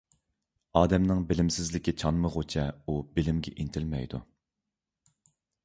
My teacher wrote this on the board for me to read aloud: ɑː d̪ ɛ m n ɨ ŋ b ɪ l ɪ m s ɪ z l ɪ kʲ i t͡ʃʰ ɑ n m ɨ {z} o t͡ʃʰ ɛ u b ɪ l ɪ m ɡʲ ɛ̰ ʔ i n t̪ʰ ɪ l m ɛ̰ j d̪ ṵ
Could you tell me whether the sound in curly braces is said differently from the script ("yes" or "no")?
yes